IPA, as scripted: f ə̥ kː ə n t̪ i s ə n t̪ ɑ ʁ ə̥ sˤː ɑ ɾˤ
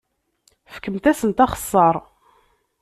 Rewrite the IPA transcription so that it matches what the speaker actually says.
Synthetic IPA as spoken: f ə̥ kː ə m t̪ æ s ə n t̪ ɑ χ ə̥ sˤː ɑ ɾˤ

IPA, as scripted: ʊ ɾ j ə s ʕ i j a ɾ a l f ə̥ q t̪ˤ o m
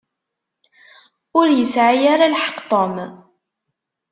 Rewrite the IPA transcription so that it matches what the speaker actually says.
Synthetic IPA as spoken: ʊ ɾ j ə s ʕ a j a ɾ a l ħ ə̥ q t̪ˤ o m

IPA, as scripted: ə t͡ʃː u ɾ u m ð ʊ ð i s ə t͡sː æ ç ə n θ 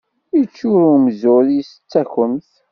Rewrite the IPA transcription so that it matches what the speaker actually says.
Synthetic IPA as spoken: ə t͡ʃː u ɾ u m z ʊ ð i s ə t͡sː æ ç ə m θ

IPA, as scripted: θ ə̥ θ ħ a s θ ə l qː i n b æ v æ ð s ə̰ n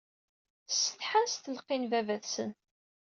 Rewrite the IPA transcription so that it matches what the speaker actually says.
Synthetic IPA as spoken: s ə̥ θ ħ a s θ ə l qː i n v æ v æ θ s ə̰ n

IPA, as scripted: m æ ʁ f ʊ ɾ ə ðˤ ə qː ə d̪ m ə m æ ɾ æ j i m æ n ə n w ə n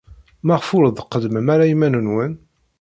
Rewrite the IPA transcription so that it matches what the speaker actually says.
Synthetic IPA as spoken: m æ ʁ f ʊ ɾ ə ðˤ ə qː ə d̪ m ə m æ ɾ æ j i m æ n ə n w ə n

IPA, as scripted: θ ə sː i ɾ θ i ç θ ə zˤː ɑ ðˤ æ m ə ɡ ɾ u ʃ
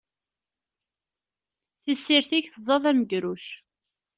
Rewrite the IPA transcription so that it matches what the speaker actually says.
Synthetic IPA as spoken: θ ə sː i ɾ θ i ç θ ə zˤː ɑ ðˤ æ m ə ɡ ɾ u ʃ

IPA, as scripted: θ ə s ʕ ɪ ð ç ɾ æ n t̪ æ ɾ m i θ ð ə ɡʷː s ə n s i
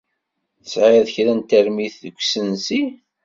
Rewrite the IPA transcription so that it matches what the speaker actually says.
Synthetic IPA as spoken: θ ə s ʕ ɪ ð ç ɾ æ n t̪ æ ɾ m i θ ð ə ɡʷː s ə n s i

